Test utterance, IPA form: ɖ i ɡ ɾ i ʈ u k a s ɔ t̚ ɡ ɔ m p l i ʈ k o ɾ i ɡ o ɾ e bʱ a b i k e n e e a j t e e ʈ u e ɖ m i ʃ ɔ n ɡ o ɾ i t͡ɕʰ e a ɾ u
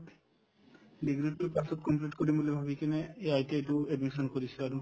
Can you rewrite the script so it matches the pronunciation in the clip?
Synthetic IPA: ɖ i ɡ ɾ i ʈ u p a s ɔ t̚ k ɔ m p l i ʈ k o ɾ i b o l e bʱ a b i k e n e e a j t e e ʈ u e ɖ m i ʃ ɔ n k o ɾ i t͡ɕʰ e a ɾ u